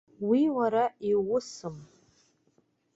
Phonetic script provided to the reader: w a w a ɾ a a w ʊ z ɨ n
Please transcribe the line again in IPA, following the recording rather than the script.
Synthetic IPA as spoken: w i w a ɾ a i w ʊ s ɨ m

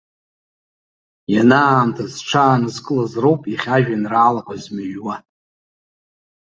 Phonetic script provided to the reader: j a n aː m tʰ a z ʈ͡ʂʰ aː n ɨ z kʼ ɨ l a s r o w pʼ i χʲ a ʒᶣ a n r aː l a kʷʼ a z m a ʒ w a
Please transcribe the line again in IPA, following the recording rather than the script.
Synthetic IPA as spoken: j a n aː m tʰ a z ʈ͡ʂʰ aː n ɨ z kʼ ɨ l a z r o w pʼ i χʲ a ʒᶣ a n r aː l a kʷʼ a z m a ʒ w a

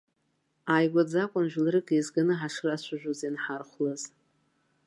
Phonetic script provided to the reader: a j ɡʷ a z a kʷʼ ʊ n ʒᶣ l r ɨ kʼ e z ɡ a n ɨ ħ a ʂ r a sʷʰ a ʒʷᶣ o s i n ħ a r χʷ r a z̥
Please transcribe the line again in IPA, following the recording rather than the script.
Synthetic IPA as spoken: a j ɡʷ a d͡z a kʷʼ ʊ n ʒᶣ l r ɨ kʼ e z ɡ a n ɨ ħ a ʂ r a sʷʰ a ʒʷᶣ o z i n ħ a r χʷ l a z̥

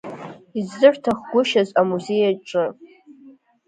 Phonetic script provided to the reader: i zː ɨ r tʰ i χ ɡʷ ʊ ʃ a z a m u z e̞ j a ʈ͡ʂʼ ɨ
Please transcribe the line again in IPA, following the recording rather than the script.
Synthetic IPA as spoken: i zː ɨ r tʰ a χ ɡʷ ʊ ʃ a z a m u z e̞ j a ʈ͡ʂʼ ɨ

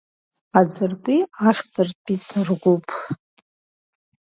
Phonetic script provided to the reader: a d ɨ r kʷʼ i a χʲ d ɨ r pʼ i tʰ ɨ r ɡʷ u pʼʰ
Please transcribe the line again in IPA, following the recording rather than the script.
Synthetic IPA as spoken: a d͡z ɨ r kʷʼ i a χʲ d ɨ r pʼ i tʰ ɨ r ɡʷ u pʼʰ

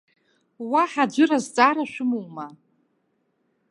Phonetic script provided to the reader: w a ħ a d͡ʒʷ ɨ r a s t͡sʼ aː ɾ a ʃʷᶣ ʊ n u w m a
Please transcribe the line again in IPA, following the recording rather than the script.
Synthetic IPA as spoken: w a ħ a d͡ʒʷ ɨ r a z t͡sʼ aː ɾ a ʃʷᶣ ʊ m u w m a

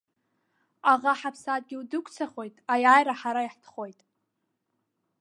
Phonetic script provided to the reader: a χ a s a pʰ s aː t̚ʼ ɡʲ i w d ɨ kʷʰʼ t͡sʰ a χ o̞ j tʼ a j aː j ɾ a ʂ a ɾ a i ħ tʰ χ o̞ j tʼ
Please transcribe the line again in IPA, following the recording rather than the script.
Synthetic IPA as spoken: a ʁ a ħ a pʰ s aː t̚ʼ ɡʲ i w d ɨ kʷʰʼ t͡sʰ a χ o̞ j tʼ a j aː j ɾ a ħ a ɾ a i ħ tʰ χ o̞ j tʼ

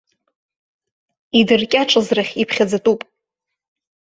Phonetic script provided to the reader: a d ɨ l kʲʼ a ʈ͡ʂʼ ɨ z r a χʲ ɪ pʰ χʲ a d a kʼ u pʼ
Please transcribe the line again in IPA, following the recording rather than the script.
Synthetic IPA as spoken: i d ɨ r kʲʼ a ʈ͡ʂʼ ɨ z r a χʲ i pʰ χʲ a d͡z a tʼ u pʼ

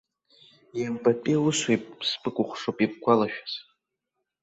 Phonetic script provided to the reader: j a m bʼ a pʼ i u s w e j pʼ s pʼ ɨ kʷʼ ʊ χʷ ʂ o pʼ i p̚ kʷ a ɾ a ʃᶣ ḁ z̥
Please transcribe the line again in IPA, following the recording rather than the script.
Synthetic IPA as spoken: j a m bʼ a pʼ i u s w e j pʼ s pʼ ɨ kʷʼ ʊ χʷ ʂ o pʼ i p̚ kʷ a l a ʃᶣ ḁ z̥

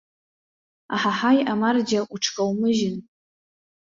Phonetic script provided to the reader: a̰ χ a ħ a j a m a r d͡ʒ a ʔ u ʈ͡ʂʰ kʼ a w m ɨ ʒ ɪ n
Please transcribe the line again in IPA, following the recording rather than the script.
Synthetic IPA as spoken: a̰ ħ a ħ a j a m a r d͡ʒ a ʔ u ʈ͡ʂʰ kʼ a w m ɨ ʒ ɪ n

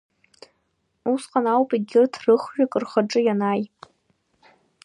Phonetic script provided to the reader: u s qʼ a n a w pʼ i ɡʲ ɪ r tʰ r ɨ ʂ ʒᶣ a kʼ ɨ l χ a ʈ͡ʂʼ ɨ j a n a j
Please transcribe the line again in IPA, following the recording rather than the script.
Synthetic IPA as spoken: u s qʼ a n a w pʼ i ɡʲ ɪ r tʰ r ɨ χ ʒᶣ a kʼ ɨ r χ a ʈ͡ʂʼ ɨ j a n a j

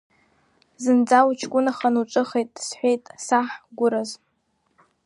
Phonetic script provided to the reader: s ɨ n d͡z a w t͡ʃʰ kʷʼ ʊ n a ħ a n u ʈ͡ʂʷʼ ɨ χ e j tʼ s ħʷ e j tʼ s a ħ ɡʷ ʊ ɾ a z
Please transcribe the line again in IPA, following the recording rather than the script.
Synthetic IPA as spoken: z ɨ n d͡z a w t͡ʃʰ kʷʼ ʊ n a χ a n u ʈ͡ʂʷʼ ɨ χ e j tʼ s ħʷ e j tʼ s a ħ ɡʷ ʊ ɾ a z

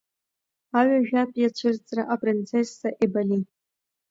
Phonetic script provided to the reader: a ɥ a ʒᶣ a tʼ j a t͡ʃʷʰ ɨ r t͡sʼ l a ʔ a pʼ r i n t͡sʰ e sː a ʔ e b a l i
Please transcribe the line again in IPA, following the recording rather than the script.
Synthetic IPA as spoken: a ɥ a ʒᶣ a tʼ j a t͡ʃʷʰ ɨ r t͡sʼ r a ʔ a pʼ r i n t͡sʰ e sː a ʔ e b a l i

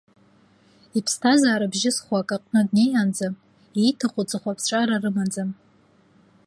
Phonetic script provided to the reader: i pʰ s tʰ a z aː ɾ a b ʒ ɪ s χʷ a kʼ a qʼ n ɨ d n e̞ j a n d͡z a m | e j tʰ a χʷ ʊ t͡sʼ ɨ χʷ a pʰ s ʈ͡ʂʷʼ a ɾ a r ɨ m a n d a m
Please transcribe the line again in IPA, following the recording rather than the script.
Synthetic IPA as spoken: i pʰ s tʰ a z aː ɾ a b ʒ ɪ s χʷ a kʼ a qʼ n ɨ d n e̞ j a n d͡z a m | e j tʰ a χʷ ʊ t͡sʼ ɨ χʷ a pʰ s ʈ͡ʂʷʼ a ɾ a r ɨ m a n d͡z a m

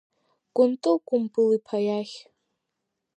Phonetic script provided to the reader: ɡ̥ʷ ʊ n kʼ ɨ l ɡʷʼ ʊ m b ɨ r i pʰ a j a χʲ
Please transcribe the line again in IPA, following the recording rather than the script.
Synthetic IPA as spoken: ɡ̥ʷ ʊ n tʼ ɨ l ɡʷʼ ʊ m b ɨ l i pʰ a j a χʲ

